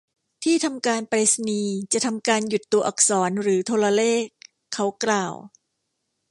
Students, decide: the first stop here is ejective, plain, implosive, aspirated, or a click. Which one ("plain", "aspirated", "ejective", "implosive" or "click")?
aspirated